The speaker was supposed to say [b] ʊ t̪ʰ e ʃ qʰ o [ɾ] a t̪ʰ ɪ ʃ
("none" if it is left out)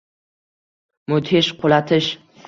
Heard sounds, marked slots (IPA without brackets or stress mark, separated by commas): m, l